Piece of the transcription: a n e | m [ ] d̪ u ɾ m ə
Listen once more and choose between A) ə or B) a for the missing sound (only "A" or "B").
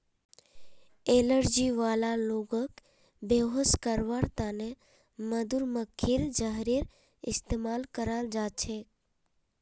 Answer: A